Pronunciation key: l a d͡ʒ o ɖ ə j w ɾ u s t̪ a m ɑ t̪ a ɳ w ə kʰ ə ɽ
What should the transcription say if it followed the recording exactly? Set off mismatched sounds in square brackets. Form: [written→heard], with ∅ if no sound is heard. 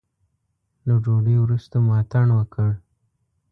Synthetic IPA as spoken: l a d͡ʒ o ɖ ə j w ɾ u s t̪ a m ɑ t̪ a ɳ w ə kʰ ə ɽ